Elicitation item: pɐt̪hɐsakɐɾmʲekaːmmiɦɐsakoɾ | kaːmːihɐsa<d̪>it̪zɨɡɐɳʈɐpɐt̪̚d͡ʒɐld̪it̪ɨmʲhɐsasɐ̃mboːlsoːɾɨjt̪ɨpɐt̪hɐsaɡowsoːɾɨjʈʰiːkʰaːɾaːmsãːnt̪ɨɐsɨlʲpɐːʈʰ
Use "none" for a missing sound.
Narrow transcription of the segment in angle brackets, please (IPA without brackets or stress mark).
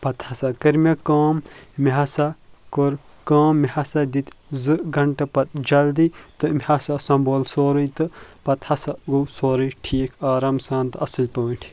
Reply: d̪